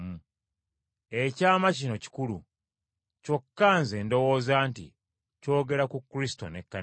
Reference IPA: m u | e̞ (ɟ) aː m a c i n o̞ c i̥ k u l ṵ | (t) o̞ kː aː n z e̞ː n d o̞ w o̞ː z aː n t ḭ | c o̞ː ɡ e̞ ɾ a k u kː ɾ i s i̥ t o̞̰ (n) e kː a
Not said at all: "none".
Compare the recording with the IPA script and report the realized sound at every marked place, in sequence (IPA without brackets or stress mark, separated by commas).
c, c, n